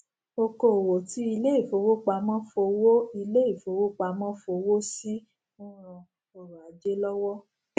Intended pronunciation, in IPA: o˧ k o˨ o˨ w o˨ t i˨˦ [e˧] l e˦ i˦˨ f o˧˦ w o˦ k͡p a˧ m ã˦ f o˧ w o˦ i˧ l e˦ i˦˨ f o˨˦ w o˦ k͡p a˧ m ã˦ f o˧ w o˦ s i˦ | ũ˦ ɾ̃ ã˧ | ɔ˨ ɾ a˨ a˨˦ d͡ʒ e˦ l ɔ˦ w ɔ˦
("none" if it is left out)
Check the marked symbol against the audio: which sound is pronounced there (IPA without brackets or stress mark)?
i˧